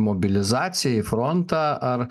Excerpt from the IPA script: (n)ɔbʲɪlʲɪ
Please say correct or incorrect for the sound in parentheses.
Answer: incorrect